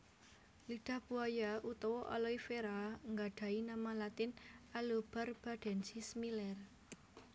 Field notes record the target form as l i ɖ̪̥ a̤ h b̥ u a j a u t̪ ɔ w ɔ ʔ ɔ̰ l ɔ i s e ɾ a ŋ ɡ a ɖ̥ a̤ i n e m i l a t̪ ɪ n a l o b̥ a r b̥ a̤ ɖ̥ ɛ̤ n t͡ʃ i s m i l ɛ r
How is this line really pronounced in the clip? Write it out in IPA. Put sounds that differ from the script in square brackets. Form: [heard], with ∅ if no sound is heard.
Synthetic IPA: l i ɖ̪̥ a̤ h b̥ u a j a u t̪ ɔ w ɔ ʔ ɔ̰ l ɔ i [f] e ɾ a ŋ ɡ a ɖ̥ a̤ i n [a] m [a] l a t̪ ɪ n a l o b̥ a r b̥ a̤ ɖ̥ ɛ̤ n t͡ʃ i s m i l ɛ r